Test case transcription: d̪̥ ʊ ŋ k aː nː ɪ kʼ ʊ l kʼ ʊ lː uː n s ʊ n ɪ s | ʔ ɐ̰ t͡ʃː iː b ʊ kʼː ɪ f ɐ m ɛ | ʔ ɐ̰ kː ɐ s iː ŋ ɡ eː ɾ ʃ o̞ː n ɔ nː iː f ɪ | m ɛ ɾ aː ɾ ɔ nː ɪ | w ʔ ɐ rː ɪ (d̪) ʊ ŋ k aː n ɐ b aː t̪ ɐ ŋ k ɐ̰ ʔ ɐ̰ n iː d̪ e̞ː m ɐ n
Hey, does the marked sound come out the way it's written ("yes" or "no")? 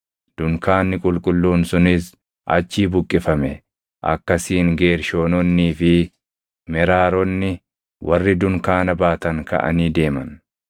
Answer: yes